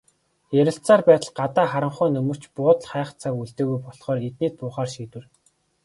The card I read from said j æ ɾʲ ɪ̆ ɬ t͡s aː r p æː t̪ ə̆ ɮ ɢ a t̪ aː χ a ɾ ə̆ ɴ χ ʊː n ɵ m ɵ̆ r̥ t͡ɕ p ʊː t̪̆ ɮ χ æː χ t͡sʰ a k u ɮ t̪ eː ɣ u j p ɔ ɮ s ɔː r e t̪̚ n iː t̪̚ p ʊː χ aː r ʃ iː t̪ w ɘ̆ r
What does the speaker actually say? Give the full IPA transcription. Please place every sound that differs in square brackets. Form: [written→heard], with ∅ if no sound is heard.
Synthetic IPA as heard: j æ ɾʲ ɪ̆ ɬ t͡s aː r p æː t̪ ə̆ ɮ ɢ a t̪ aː χ a ɾ ə̆ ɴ χ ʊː n ɵ m ɵ̆ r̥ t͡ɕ p ʊː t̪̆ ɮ χ æː χ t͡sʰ a k u ɮ t̪ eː ɣ u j p ɔ ɮ [s→χ] ɔː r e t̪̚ n iː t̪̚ p ʊː χ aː r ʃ iː t̪ w ɘ̆ r